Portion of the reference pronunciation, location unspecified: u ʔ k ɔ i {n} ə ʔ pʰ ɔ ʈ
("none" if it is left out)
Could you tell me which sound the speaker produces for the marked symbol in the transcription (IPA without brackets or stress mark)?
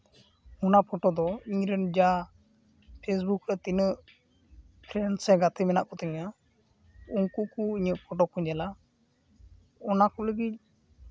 ɲ